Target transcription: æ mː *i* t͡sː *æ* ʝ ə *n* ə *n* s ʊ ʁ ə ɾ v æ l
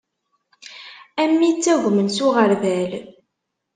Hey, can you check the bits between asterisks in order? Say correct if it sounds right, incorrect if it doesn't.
correct, correct, incorrect, correct

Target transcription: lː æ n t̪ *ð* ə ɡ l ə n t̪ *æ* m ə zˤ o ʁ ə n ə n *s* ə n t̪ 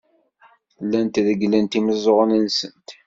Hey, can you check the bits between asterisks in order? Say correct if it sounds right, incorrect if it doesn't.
correct, incorrect, correct

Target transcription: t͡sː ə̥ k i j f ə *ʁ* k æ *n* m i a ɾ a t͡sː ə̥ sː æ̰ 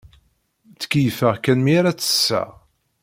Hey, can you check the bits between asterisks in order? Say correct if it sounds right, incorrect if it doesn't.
correct, correct

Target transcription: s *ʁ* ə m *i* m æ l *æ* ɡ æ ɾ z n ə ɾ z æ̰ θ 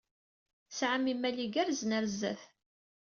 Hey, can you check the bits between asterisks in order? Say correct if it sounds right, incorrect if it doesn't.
incorrect, correct, incorrect

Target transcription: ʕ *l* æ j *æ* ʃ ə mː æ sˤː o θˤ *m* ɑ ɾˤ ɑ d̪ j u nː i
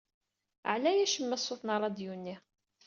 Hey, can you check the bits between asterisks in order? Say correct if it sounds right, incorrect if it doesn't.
correct, correct, incorrect

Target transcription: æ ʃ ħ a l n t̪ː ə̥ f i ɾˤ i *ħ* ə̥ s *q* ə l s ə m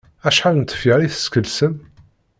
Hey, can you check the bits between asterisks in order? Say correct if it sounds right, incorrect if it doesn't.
incorrect, incorrect

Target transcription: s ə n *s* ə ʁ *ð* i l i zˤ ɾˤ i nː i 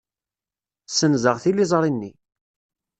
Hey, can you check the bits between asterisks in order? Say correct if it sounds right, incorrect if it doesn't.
incorrect, incorrect

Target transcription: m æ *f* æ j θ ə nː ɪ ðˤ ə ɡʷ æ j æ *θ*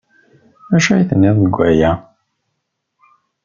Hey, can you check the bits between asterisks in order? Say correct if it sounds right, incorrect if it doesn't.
incorrect, incorrect

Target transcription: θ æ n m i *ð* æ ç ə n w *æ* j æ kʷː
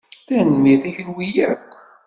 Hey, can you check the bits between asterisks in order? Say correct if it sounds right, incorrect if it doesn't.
incorrect, incorrect

